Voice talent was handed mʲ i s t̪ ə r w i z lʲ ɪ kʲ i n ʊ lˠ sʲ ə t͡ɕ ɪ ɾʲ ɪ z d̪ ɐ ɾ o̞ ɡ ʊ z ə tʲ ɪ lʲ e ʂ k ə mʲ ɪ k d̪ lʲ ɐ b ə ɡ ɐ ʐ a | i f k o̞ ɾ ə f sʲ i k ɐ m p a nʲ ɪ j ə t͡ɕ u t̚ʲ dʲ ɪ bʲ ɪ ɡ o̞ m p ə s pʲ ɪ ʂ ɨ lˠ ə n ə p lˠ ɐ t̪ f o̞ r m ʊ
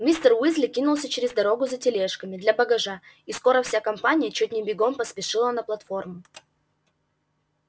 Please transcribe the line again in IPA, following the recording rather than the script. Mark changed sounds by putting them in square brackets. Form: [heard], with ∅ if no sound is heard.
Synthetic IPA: mʲ i s t̪ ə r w i z lʲ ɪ kʲ i n ʊ lˠ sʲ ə t͡ɕ ɪ ɾʲ ɪ z d̪ ɐ ɾ o̞ ɡ ʊ z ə tʲ ɪ lʲ e ʂ k ə mʲ ɪ [∅] d̪ lʲ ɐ b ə ɡ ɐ ʐ a | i [s] k o̞ ɾ ə f sʲ [a] k ɐ m p a nʲ ɪ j ə t͡ɕ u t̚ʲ [nʲ] ɪ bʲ ɪ ɡ o̞ m p ə s pʲ ɪ ʂ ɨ lˠ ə n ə p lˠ ɐ t̪ f o̞ r m ʊ